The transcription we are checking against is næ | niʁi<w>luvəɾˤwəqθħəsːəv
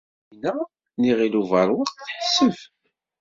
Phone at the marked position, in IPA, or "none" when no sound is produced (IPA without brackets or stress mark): none